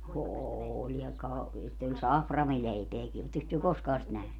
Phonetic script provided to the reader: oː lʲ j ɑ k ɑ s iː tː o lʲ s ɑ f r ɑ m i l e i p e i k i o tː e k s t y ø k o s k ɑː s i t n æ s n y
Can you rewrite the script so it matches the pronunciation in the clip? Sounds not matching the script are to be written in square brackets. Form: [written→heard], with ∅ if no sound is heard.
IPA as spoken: oː lʲ j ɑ k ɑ s [iː→i] tː o lʲ s ɑ f r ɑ m i l e i p e [i→æ] k i o tː e k s t y ø k o s k ɑː s i t n æ [s→h] n y